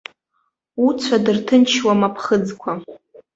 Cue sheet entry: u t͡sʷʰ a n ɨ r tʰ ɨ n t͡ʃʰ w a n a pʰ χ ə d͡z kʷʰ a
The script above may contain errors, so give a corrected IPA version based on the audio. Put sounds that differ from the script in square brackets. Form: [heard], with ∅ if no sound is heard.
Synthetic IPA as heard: u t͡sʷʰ a [d] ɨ r tʰ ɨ n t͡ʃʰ w a [m] a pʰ χ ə d͡z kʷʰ a